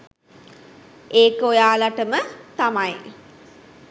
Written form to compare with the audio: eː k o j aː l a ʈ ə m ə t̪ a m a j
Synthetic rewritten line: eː k o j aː l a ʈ ə m ə t̪ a m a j